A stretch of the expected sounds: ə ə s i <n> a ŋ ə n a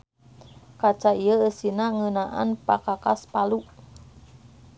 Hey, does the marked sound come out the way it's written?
yes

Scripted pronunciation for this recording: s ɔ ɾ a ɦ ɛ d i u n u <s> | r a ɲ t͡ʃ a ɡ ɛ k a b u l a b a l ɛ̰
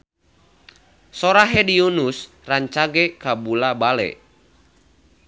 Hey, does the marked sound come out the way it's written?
yes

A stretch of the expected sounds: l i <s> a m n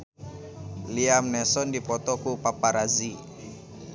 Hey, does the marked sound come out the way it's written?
no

